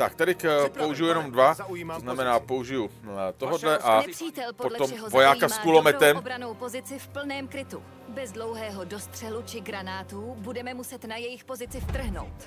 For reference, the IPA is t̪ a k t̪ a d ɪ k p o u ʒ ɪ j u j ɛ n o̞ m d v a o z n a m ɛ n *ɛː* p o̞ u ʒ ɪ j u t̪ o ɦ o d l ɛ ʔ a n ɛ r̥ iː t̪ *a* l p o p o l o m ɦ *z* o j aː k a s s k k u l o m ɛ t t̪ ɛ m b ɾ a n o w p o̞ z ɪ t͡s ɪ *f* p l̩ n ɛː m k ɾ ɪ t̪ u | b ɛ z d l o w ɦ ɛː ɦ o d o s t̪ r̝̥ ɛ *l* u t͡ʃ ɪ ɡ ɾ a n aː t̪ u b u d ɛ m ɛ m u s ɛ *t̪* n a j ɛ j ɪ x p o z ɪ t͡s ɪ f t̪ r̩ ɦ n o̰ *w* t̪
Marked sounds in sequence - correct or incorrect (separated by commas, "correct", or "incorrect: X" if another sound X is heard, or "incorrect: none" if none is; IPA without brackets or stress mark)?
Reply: incorrect: aː, incorrect: ɛ, incorrect: v, correct, correct, correct, correct